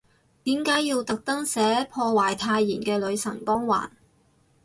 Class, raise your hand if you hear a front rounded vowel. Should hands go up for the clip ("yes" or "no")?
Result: no